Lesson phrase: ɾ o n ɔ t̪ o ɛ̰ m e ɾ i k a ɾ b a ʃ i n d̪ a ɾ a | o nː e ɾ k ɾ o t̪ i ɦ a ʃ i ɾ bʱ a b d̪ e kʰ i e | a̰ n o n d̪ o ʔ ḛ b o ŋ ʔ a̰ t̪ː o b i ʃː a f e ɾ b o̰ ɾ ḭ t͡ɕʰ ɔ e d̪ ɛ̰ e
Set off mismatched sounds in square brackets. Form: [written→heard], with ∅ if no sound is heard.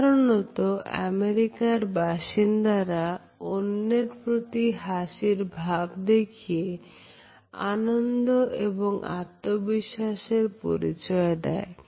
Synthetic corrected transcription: ɾ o n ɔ t̪ o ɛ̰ m e ɾ i k a ɾ b a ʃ i n d̪ a ɾ a | o nː e ɾ [k→p] ɾ o t̪ i ɦ a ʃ i ɾ bʱ a b d̪ e kʰ i e | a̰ n o n d̪ o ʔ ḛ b o ŋ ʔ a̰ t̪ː o b i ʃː a [f→ʃ] e ɾ [b→p] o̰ ɾ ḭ [t͡ɕʰ→t͡ɕ] ɔ e d̪ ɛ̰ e